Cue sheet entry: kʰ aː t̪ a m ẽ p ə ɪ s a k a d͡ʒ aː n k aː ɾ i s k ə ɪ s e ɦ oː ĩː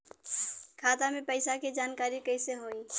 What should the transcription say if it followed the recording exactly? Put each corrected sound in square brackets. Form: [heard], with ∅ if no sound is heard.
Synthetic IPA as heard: kʰ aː t̪ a m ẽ p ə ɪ s a k [e] d͡ʒ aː n k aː ɾ i [∅] k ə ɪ s e ɦ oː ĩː

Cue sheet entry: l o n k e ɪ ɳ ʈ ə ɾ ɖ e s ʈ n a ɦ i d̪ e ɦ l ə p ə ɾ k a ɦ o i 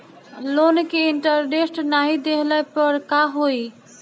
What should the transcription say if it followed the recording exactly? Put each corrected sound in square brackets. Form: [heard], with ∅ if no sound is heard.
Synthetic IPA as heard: l o n k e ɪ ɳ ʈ ə ɾ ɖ e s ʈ n a ɦ i d̪ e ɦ l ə p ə ɾ k a ɦ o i

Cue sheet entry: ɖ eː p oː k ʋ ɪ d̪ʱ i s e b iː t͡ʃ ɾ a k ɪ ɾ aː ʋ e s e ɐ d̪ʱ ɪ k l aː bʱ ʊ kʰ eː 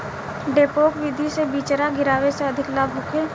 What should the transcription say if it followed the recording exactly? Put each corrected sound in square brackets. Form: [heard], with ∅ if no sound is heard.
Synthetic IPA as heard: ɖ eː p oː k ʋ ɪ d̪ʱ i s e b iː t͡ʃ ɾ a [ɡ] ɪ ɾ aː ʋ e s e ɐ d̪ʱ ɪ k l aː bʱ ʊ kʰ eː

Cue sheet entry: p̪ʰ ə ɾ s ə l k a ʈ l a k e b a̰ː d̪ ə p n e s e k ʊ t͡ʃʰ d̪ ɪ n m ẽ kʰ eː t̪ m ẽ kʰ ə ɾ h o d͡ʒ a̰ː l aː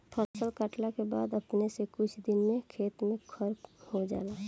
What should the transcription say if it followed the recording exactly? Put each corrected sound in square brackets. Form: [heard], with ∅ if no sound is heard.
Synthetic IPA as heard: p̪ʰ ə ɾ s ə l k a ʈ l a k e b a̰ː d̪ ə p n e s e k ʊ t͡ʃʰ d̪ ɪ n m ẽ kʰ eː t̪ m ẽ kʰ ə ɾ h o d͡ʒ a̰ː l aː

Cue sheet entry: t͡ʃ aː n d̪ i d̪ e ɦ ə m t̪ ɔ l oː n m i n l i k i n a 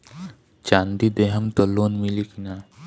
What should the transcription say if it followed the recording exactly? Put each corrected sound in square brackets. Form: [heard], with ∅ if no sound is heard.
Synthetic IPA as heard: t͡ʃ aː n d̪ i d̪ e ɦ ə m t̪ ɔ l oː n m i [∅] l i k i n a

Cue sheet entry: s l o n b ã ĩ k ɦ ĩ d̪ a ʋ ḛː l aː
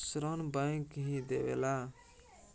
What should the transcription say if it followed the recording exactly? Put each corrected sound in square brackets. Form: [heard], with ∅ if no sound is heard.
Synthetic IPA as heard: s [ɾ] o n b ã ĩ k ɦ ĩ d̪ [e] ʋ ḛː l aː

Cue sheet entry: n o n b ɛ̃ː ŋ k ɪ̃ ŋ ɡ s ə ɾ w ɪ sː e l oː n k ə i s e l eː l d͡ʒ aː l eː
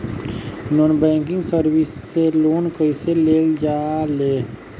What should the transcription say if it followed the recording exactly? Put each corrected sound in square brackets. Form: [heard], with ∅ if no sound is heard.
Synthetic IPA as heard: n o n b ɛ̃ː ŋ k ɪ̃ ŋ ɡ s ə ɾ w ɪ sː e l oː n k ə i s e l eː l d͡ʒ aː l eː

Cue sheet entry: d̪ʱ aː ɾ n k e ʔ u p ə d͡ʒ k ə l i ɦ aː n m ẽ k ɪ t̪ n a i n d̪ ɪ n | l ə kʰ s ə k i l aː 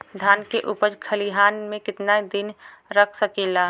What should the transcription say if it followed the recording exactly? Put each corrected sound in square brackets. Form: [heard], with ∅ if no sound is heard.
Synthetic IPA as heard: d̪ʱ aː [∅] n k e ʔ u p ə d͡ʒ [kʰ] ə l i ɦ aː n m ẽ k ɪ t̪ n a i [∅] d̪ ɪ n | [ɾ] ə kʰ s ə k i l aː

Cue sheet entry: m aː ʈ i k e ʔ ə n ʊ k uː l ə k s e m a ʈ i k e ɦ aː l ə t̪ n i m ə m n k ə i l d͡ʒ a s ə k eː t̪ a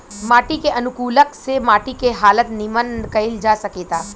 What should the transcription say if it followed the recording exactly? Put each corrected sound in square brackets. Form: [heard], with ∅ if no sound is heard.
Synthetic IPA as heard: m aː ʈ i k e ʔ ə n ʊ k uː l ə k s e m a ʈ i k e ɦ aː l ə t̪ n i m ə [∅] n k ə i l d͡ʒ a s ə k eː t̪ a

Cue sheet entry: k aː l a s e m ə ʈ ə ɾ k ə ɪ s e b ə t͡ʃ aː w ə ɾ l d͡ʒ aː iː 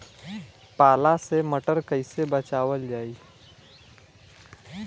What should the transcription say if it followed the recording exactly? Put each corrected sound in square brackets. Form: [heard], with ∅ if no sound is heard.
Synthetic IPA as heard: [p] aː l a s e m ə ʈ ə ɾ k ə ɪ s e b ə t͡ʃ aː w ə [∅] l d͡ʒ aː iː

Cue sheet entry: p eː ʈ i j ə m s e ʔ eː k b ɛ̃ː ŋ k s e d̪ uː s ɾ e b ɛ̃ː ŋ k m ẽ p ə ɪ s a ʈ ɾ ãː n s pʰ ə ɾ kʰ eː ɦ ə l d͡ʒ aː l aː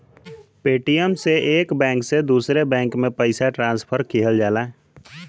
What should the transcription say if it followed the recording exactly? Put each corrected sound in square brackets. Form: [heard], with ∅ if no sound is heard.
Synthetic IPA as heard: p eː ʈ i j ə m s e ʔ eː k b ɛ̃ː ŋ k s e d̪ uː s ɾ e b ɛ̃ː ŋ k m ẽ p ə ɪ s a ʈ ɾ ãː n s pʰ ə ɾ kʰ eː ɦ ə l d͡ʒ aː l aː

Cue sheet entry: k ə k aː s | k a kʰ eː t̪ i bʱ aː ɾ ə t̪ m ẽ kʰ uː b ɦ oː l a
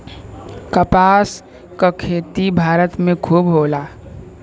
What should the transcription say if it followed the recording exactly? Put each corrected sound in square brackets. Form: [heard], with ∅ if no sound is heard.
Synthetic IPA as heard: k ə [p] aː s | k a kʰ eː t̪ i bʱ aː ɾ ə t̪ m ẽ kʰ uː b ɦ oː l a

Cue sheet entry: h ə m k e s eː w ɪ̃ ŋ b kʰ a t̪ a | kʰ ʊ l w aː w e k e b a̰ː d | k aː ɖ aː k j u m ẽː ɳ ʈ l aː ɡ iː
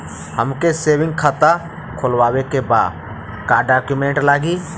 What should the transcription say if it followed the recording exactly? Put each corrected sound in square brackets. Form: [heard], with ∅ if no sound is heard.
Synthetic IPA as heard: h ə m k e s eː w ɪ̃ ŋ [ɡ] kʰ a t̪ a | kʰ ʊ l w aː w e k e b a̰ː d | k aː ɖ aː k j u m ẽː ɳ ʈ l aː ɡ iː

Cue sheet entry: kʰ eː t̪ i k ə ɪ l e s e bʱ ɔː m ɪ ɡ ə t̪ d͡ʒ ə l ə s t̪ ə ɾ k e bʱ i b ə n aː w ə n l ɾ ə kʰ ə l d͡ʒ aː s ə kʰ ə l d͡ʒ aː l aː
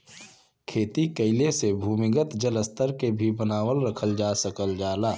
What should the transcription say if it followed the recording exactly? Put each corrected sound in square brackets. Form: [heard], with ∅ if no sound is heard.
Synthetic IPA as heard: kʰ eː t̪ i k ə ɪ l e s e bʱ [uː] m ɪ ɡ ə t̪ d͡ʒ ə l ə s t̪ ə ɾ k e bʱ i b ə n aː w ə [∅] l ɾ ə kʰ ə l d͡ʒ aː s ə [k] ə l d͡ʒ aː l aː

